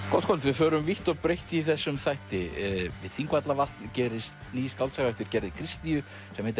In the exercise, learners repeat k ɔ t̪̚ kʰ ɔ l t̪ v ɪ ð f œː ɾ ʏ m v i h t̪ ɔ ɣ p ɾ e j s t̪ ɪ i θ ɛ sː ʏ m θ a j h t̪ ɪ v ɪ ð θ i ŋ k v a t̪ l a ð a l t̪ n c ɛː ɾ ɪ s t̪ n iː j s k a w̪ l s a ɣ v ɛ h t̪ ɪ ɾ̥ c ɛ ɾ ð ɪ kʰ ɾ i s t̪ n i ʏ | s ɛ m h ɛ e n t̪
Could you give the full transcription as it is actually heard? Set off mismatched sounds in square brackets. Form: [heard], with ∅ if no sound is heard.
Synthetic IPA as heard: k ɔ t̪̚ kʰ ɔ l t̪ v ɪ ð f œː ɾ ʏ m v i h t̪ ɔ ɣ p ɾ e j [h] t̪ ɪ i θ ɛ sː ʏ m θ a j h t̪ ɪ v ɪ ð θ i ŋ k v a t̪ l a [v] a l t̪ n c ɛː ɾ ɪ s t̪ n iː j s k a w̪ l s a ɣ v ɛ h t̪ ɪ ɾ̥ c ɛ ɾ ð ɪ kʰ ɾ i s t̪ n i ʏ | s ɛ m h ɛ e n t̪